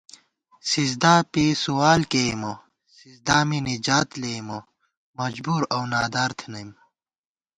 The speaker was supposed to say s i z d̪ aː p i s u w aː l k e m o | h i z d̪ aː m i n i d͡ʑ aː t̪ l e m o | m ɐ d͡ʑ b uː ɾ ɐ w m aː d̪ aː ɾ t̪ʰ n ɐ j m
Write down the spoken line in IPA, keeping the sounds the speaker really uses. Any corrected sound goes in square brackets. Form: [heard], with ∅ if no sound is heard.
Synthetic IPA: s i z d̪ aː p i s u w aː l k e m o | [s] i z d̪ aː m i n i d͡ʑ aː t̪ l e m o | m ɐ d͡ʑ b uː ɾ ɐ w [n] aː d̪ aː ɾ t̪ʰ n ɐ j m